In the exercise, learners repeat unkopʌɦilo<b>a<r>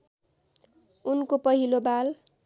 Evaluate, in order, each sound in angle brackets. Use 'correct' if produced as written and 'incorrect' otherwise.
correct, incorrect

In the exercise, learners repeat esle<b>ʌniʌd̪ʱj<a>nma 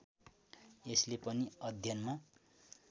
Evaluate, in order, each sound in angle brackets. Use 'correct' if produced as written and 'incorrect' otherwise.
incorrect, incorrect

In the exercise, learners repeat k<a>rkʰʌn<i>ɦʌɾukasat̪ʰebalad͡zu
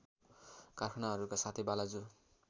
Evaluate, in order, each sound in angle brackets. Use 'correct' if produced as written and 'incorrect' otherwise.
correct, incorrect

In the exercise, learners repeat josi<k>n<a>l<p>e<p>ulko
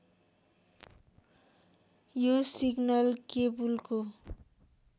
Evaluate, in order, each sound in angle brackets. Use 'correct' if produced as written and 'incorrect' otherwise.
incorrect, incorrect, incorrect, incorrect

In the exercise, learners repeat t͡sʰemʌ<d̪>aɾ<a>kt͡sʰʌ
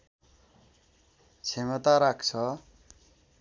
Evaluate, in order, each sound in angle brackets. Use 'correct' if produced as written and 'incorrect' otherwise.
incorrect, correct

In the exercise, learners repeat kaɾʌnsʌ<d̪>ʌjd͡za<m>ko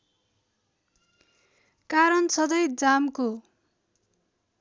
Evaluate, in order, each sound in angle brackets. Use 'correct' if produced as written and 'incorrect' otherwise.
correct, correct

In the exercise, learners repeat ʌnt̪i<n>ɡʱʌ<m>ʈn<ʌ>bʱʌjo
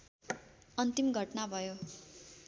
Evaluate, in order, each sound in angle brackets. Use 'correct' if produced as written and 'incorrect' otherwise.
incorrect, incorrect, incorrect

